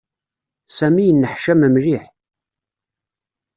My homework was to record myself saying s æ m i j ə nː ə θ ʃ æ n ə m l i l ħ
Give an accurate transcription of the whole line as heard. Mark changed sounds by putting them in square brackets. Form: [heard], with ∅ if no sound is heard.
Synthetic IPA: s æ m i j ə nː ə [ħ] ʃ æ [m] ə m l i [∅] ħ